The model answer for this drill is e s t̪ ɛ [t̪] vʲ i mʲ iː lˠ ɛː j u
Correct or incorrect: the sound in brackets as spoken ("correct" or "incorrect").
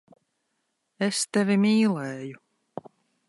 incorrect